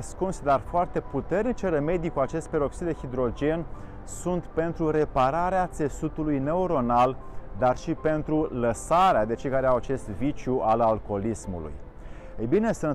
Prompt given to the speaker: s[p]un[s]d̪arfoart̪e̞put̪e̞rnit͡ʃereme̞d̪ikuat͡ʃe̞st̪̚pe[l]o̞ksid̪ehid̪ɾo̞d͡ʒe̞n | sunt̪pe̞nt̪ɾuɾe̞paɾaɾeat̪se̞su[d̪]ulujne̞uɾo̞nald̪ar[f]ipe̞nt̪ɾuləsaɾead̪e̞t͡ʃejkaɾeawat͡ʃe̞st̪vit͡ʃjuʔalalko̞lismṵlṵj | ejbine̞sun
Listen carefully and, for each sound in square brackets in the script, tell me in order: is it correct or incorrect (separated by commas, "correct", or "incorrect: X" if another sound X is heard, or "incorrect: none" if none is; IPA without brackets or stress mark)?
incorrect: k, correct, incorrect: ɾ, incorrect: t̪, incorrect: ʃ